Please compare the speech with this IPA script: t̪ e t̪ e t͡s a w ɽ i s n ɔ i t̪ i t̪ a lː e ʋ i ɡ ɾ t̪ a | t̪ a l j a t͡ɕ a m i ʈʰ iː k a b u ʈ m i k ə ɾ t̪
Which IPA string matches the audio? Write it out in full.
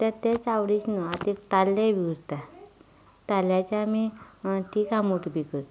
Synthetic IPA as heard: t̪ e t̪ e t͡s a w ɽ i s n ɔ a t̪ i t̪ a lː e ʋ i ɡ ɾ t̪ a | t̪ a l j a t͡ɕ a m i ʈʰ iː k a m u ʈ b i k ə ɾ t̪